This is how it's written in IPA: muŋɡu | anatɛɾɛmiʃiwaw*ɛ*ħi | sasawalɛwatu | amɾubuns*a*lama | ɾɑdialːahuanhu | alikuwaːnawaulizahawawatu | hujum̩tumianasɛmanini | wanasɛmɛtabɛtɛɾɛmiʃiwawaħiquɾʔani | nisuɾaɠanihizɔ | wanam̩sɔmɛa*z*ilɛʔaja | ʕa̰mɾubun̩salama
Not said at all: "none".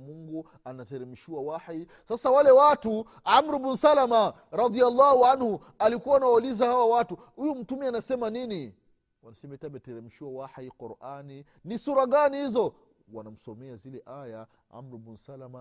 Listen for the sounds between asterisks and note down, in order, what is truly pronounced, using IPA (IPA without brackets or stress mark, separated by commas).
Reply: a, a, z